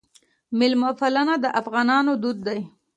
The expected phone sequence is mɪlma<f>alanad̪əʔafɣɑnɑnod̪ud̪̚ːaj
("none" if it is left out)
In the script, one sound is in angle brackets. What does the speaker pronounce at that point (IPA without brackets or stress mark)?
f